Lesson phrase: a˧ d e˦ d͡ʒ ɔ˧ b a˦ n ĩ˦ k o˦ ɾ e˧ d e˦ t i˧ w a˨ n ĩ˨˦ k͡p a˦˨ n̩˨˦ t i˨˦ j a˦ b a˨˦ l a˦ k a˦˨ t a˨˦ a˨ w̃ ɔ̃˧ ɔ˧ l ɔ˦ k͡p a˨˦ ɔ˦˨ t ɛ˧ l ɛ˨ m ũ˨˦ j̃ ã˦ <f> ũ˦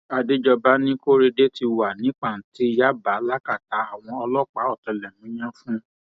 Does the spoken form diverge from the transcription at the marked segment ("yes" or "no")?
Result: no